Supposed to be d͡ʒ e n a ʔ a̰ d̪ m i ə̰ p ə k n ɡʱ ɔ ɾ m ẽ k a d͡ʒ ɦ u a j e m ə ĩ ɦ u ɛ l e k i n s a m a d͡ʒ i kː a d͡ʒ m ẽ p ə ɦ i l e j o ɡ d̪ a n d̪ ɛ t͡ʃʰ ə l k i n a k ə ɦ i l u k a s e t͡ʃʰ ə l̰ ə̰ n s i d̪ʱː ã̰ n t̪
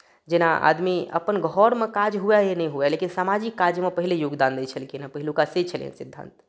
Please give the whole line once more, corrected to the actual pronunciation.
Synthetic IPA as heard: d͡ʒ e n a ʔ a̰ d̪ m i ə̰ p ə n ɡʱ ɔ ɾ m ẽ k a d͡ʒ ɦ u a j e n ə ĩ ɦ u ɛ l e k i n s a m a d͡ʒ i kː a d͡ʒ m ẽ p ə ɦ i l e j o ɡ d̪ a n d̪ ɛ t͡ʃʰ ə l k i n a p ə ɦ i l u k a s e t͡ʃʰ ə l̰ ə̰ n s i d̪ʱː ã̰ n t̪